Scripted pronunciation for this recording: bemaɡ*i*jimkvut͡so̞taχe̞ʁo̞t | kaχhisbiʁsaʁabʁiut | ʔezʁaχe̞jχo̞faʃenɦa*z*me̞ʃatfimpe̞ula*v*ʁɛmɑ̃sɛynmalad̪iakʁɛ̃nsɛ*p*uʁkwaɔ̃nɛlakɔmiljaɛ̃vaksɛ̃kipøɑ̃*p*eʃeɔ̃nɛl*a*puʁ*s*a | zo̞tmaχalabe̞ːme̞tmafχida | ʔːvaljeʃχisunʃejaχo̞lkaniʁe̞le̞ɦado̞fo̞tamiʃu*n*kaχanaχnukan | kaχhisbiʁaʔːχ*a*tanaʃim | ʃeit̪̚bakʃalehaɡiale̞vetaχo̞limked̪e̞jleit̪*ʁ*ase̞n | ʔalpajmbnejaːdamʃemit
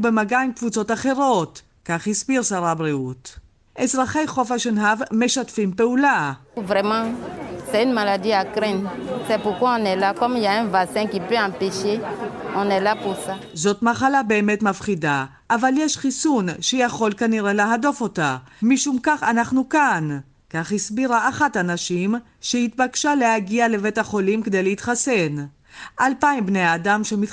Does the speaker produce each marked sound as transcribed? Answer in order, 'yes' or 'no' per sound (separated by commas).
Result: no, no, yes, yes, yes, yes, yes, no, yes, no